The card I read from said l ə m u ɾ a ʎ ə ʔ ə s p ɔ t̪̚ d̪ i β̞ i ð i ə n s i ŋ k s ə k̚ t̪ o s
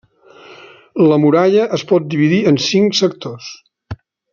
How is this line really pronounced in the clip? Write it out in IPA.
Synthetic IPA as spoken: l ə m u ɾ a ʎ ə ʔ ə s p ɔ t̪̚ d̪ i β̞ i ð i ə n s i ŋ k s ə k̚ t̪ o s

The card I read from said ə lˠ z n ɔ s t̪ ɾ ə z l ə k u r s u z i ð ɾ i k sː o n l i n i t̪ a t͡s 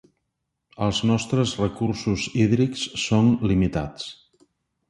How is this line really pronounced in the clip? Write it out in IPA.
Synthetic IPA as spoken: ə lˠ z n ɔ s t̪ ɾ ə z r ə k u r s u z i ð ɾ i k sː o n l i m i t̪ a t͡s

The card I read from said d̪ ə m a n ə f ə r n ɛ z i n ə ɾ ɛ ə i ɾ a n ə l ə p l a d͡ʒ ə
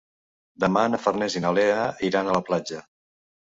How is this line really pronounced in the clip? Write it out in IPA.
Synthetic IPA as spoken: d̪ ə m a n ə f ə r n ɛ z i n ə l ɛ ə i ɾ a n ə l ə p l a d͡ʒ ə

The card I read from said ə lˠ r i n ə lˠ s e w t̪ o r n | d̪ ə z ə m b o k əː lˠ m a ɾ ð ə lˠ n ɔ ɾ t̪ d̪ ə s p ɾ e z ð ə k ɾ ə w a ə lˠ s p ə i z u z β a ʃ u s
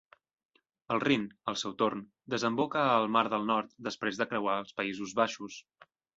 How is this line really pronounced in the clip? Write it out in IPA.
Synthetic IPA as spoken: ə lˠ r i n ə lˠ s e w t̪ o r n | d̪ ə z ə m b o k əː lˠ m a ɾ ð ə lˠ n ɔ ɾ t̪ d̪ ə s p ɾ e z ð ə k ɾ ə w a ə lˠ s p ə i z u z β a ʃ u s

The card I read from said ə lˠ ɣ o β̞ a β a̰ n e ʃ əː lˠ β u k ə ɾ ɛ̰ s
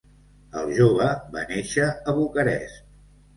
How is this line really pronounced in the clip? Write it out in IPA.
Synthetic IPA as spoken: ə lˠ ʒ o β̞ ə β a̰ n e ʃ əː β u k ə ɾ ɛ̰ s

